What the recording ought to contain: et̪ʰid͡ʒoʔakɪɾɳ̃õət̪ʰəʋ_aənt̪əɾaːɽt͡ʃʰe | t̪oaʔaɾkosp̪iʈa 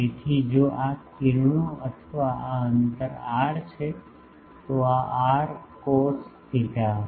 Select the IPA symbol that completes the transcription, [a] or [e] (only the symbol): a